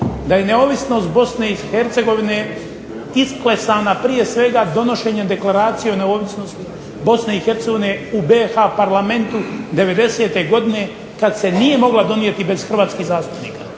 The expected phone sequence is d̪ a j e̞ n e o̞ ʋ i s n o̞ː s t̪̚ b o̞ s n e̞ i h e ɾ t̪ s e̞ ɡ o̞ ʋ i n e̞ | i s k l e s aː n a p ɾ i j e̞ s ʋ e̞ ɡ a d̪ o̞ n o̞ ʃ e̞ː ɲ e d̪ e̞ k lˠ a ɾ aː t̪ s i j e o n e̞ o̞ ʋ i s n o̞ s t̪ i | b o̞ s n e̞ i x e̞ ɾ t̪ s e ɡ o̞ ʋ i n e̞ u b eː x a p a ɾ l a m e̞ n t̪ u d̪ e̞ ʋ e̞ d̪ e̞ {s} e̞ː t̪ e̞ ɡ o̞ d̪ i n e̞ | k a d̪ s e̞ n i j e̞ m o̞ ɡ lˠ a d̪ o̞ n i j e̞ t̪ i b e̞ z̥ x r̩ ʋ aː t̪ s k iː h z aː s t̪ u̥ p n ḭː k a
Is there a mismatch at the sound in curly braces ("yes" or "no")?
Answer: no